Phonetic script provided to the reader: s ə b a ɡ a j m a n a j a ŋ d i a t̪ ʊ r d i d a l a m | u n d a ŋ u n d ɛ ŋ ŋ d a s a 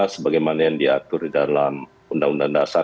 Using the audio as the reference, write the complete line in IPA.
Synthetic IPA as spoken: s ə b a ɡ a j m a n a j a ŋ d i a t̪ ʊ r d i d a l a m | u n d a ŋ u n d a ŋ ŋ d a s a